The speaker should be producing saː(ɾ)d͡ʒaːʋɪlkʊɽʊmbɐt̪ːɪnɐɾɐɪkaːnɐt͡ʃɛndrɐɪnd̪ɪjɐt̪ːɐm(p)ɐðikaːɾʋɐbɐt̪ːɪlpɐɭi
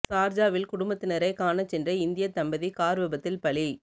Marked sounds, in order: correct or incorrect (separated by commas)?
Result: correct, incorrect